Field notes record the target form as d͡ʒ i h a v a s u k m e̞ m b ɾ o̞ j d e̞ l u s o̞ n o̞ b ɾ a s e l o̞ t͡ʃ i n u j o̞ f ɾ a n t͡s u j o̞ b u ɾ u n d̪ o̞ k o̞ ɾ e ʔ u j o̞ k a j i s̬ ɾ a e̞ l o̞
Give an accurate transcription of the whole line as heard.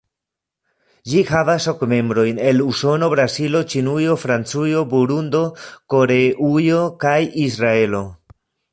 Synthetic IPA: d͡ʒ i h a v a s o k m e̞ m b ɾ o̞ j n e̞ l u s o̞ n o̞ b ɾ a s i l o̞ t͡ʃ i n u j o̞ f ɾ a n t͡s u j o̞ b u ɾ u n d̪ o̞ k o̞ ɾ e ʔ u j o̞ k a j i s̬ ɾ a e̞ l o̞